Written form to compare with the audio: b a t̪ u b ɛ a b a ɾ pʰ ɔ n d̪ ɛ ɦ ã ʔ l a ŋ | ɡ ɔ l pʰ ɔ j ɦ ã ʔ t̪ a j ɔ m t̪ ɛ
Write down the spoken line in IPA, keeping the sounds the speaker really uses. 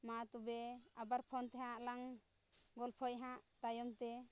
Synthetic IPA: m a t̪ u b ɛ a b a ɾ pʰ ɔ n t̪ ɛ ɦ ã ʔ l a ŋ | ɡ ɔ l pʰ ɔ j ɦ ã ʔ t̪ a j ɔ m t̪ ɛ